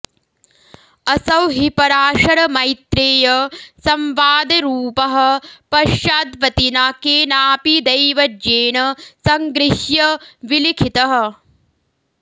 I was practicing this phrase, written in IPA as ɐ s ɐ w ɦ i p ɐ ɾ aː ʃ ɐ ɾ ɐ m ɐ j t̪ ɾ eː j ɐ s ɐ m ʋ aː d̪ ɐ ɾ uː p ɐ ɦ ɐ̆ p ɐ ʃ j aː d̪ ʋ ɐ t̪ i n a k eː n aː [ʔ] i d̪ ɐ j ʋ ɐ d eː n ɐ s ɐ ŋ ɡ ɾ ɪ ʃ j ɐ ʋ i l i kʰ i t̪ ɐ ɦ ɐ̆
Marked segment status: incorrect: p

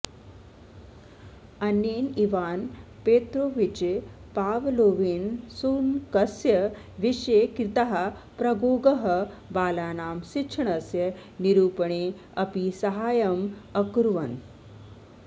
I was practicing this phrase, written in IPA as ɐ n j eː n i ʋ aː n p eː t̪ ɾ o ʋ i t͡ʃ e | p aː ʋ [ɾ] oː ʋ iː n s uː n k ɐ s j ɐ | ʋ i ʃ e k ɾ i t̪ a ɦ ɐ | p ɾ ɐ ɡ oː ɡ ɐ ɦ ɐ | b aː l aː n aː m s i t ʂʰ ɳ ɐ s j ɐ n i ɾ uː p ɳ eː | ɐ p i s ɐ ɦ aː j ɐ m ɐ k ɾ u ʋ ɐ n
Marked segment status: incorrect: l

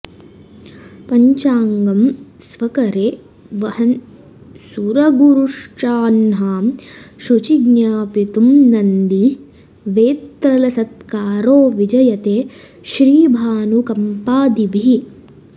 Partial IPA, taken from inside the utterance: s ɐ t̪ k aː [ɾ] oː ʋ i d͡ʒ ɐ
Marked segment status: correct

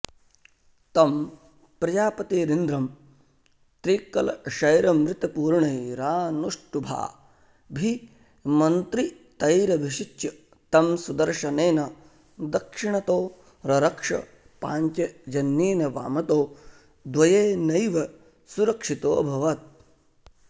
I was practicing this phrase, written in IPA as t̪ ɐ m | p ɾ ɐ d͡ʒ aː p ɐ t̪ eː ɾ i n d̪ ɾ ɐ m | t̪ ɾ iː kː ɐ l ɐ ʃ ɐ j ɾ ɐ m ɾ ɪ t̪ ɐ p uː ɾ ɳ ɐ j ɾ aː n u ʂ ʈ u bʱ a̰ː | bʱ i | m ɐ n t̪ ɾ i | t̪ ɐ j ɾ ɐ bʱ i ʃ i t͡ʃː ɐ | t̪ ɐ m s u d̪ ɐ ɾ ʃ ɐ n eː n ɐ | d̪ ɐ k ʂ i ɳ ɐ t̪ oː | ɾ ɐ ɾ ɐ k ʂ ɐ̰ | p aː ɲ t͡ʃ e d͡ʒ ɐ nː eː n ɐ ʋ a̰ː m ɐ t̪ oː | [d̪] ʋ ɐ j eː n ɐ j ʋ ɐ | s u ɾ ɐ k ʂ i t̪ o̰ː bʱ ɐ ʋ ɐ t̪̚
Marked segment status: correct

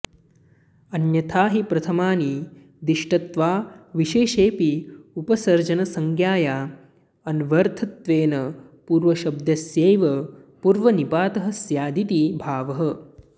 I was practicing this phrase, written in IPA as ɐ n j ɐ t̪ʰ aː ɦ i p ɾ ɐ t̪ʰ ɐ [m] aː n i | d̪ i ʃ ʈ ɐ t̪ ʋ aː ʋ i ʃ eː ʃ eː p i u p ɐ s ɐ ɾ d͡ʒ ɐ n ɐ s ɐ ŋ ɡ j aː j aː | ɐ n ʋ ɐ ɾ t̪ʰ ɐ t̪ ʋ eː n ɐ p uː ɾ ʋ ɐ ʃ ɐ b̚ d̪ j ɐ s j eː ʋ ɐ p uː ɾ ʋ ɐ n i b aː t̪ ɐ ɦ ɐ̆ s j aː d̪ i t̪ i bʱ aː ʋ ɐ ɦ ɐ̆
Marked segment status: correct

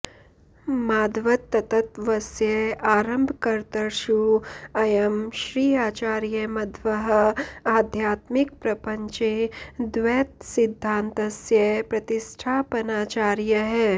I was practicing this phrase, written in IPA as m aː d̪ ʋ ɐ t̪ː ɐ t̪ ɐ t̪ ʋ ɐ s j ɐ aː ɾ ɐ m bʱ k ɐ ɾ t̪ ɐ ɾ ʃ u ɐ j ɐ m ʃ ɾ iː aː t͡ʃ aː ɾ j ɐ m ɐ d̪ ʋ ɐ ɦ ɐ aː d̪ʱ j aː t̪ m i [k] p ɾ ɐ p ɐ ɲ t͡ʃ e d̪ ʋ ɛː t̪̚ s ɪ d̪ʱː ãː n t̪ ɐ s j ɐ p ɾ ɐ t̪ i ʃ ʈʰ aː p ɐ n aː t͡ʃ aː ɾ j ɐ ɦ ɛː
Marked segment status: correct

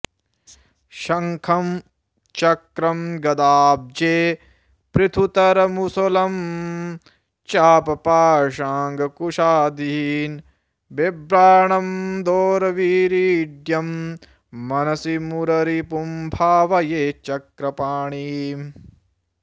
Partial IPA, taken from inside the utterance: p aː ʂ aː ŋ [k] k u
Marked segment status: incorrect: ɡ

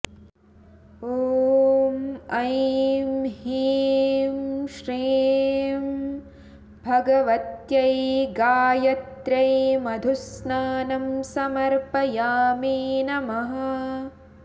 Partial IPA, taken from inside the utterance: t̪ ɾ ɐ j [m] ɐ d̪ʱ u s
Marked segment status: correct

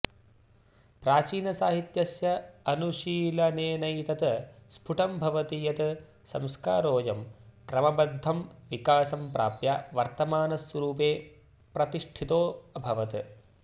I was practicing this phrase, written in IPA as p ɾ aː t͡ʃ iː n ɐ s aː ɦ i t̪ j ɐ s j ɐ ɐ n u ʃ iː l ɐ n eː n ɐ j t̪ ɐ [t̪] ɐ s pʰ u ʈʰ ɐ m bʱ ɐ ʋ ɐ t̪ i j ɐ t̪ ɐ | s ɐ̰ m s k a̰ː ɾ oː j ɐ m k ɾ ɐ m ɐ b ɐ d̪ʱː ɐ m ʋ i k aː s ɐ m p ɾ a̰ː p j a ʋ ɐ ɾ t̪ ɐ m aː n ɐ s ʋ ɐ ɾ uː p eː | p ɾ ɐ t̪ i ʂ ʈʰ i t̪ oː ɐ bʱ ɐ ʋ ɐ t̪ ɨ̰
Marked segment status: correct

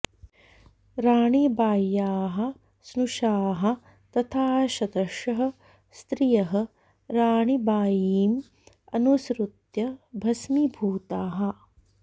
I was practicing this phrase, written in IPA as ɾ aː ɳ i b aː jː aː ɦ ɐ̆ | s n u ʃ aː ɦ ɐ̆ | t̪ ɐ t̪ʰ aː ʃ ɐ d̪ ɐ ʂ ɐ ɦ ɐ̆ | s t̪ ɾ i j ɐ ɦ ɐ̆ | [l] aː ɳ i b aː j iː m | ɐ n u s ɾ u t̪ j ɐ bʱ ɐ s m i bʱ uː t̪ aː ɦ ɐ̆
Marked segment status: incorrect: ɾ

